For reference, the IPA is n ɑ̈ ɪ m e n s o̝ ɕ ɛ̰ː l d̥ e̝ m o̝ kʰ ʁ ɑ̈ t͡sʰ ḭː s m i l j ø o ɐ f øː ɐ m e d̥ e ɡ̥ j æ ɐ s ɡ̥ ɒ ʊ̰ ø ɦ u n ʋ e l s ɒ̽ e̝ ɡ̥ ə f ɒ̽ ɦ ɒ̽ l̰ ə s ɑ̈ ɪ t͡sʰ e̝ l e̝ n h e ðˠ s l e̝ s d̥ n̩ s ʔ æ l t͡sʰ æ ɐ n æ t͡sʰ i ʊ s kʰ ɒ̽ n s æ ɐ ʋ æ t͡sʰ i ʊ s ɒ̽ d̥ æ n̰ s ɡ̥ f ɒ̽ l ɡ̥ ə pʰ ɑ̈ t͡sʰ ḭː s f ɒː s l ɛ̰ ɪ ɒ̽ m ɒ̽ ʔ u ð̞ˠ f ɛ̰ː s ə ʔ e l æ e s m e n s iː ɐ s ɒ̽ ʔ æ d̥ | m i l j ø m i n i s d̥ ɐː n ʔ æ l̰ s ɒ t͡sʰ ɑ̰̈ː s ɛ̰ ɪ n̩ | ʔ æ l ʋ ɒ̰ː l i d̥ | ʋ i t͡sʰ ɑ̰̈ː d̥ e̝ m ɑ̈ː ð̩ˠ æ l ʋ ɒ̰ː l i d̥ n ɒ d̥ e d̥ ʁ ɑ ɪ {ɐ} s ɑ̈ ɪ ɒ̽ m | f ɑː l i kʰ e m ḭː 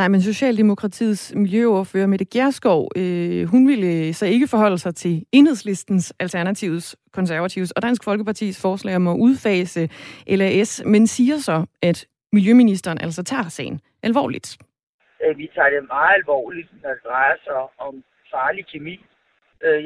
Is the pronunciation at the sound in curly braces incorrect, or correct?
correct